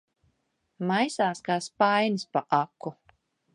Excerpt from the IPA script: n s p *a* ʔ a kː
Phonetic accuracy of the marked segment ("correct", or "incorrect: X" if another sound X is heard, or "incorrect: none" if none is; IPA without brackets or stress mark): correct